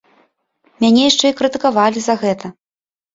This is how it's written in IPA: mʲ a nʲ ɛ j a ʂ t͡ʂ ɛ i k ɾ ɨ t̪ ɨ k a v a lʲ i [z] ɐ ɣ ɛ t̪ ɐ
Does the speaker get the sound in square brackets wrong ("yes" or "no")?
no